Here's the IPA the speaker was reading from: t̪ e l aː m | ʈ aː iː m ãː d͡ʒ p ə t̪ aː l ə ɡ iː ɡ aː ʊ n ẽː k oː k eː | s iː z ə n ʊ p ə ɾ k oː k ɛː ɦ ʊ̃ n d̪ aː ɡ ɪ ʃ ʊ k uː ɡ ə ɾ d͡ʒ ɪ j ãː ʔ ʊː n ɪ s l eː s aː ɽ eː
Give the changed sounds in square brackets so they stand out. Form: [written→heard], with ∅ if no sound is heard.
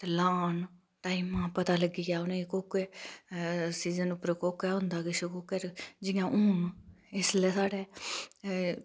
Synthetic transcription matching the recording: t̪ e l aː [m→n] | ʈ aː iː m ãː [d͡ʒ→∅] p ə t̪ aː l ə ɡ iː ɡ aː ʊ n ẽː k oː k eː | s iː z ə n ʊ p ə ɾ k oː k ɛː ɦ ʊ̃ n d̪ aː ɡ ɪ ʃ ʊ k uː [ɡ→k] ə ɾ d͡ʒ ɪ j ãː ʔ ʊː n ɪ s l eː s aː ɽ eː